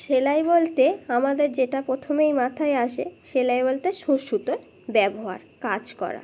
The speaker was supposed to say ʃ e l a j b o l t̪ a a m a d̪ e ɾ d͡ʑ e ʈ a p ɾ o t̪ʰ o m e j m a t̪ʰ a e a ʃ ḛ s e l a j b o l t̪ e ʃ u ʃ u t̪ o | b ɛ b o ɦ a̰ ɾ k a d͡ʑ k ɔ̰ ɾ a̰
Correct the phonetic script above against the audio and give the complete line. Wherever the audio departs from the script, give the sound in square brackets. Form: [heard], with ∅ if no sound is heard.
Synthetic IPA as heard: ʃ e l a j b o l t̪ [e] a m a d̪ e ɾ d͡ʑ e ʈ a p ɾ o t̪ʰ o m e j m a t̪ʰ a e a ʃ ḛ [ʃ] e l a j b o l t̪ e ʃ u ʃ u t̪ o | b ɛ b o ɦ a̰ ɾ k a d͡ʑ k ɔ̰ ɾ a̰